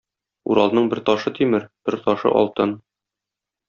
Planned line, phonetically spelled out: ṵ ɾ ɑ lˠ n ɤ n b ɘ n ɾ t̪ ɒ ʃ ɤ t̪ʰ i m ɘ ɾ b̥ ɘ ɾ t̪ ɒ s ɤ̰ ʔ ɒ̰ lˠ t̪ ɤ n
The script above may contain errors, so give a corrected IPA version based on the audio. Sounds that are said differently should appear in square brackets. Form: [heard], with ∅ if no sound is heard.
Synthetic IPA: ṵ ɾ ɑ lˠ n ɤ [ɴ] b ɘ [∅] ɾ t̪ ɒ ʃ ɤ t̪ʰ i m ɘ ɾ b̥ ɘ ɾ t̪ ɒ [ʃ] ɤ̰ ʔ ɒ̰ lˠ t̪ ɤ n